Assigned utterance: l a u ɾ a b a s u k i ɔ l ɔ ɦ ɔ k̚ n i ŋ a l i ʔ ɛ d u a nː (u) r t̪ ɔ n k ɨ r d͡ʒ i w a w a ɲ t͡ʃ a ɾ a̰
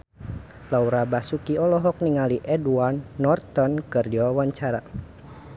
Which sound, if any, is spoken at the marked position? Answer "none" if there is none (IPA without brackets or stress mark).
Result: ɔ